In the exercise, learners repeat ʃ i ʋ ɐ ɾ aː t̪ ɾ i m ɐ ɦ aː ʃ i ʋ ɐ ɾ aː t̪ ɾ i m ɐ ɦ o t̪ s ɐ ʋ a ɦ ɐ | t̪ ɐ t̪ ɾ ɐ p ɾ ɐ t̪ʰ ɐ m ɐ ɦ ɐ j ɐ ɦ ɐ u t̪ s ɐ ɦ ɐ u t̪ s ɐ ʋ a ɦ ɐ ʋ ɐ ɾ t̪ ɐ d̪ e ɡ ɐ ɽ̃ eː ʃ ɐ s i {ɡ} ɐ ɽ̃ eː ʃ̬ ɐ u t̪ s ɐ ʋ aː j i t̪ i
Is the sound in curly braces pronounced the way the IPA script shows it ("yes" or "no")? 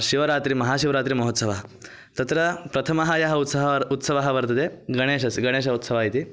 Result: yes